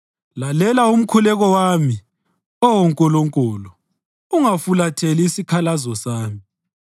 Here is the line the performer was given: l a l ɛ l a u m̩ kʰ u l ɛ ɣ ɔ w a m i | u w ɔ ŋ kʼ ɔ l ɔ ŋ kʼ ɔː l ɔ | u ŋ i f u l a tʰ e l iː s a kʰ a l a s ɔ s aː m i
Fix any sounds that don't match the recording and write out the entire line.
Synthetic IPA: l a l ɛ l a u m̩ kʰ u l ɛ ɣ ɔ w a m i | ɔ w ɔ ŋ kʼ ɔ l ɔ ŋ kʼ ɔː l ɔ | u ŋ a f u l a tʰ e l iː s i kʰ a l a z ɔ s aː m i